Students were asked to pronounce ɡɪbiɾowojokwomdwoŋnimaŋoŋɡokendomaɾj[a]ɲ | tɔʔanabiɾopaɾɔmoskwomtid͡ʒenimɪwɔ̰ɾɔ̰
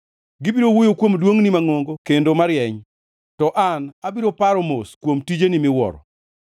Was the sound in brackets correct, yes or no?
no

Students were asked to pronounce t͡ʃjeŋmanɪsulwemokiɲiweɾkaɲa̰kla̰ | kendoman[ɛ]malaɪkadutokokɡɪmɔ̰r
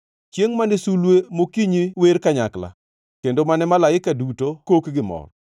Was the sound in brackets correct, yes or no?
yes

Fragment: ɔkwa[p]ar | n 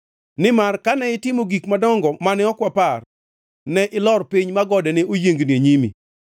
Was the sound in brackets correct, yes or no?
yes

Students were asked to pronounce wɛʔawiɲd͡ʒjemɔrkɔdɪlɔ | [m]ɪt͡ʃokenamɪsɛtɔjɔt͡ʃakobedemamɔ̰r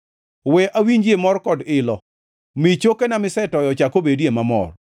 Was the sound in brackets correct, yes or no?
yes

